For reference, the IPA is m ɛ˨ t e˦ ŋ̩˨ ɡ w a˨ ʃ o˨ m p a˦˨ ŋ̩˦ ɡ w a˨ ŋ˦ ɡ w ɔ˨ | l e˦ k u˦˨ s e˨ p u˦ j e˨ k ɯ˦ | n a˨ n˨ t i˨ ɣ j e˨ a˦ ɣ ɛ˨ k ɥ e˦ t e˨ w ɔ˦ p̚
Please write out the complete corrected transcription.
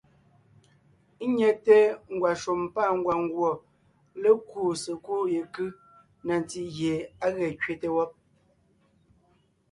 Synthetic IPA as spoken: ɲ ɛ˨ t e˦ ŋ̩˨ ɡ w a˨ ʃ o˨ m p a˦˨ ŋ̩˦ ɡ w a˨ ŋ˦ ɡ w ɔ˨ | l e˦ k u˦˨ s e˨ k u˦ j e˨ k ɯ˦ | n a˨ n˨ t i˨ ɣ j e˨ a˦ ɣ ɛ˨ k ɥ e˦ t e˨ w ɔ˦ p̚